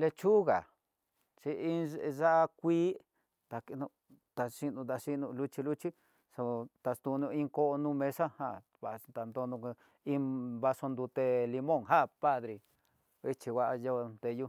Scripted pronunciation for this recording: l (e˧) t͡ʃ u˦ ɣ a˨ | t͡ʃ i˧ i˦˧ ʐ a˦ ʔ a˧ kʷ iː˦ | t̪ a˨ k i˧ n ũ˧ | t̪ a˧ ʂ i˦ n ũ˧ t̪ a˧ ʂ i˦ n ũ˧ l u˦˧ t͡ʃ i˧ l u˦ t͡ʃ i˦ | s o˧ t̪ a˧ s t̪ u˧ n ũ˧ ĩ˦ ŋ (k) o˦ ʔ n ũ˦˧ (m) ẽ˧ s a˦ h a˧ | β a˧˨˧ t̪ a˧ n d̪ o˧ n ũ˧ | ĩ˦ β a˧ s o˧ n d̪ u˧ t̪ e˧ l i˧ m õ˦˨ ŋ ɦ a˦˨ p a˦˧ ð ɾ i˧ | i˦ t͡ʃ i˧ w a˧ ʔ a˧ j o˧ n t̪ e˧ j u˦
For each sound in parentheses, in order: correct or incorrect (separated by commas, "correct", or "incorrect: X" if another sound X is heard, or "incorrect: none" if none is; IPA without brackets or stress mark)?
correct, correct, correct